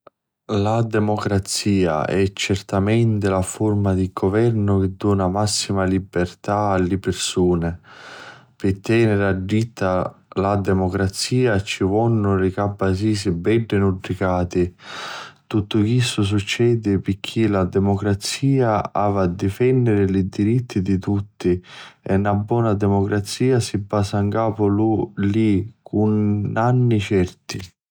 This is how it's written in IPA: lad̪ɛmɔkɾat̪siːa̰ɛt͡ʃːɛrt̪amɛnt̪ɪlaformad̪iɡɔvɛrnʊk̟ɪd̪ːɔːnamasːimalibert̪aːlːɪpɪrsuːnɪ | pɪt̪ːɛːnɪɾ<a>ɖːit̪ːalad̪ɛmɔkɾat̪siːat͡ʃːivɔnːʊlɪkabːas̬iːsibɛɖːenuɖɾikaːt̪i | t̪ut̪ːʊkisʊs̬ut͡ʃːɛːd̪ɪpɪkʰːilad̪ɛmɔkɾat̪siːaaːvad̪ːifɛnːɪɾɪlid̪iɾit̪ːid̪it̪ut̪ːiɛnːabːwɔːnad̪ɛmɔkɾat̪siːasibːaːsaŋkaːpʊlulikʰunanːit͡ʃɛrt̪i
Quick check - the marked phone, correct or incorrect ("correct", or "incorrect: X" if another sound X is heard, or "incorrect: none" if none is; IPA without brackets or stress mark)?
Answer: correct